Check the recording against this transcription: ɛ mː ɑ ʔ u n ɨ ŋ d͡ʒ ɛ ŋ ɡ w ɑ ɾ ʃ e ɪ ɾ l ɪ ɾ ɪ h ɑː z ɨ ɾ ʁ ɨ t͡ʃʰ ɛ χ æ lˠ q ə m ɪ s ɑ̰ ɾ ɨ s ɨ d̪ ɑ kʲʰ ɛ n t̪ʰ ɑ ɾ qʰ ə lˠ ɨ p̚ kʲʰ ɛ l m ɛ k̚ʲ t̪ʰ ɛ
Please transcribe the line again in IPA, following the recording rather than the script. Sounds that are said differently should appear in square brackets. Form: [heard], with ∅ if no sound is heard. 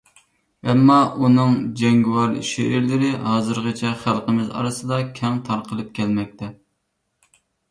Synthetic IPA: ɛ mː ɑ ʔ u n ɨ ŋ d͡ʒ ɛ ŋ ɡ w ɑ ɾ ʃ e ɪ ɾ l ɪ ɾ ɪ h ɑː z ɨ ɾ ʁ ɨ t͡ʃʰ ɛ χ æ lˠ q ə m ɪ [z] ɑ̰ ɾ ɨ s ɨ d̪ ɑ kʲʰ ɛ [ŋ] t̪ʰ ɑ ɾ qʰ ə lˠ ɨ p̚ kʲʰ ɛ l m ɛ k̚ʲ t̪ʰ ɛ